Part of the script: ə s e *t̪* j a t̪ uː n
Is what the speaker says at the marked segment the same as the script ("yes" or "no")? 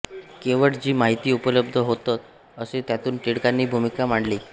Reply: yes